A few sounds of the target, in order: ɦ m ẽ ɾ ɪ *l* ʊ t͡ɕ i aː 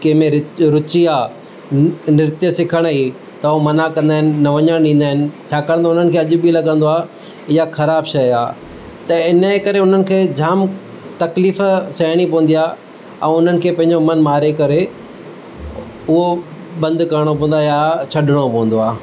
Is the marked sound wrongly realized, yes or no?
yes